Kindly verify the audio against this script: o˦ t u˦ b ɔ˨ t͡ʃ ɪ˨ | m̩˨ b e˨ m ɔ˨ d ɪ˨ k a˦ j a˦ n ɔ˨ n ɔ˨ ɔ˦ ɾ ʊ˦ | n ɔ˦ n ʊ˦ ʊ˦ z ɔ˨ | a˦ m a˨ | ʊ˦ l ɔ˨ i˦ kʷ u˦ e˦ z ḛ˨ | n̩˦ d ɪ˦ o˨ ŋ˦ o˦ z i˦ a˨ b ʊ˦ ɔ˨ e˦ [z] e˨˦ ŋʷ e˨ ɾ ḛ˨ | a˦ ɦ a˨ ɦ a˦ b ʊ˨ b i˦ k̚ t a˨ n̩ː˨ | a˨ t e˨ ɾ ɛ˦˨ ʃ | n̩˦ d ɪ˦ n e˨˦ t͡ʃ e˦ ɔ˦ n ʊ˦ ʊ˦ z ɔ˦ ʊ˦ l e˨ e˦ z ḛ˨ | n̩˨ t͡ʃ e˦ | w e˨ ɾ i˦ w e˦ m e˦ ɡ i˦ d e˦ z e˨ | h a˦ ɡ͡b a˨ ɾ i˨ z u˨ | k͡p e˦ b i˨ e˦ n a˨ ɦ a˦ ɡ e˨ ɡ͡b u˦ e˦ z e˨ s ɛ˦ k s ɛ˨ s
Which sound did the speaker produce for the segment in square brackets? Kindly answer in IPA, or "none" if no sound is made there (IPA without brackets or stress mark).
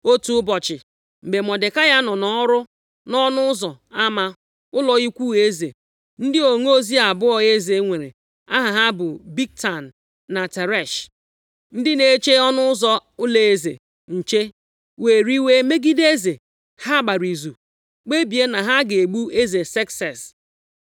z